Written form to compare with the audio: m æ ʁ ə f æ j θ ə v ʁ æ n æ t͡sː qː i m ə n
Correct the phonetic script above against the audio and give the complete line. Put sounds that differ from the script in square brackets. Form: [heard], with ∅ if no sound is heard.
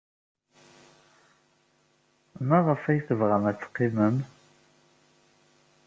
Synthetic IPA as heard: m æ ʁ ə f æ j θ ə v ʁ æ [m] æ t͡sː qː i m ə [m]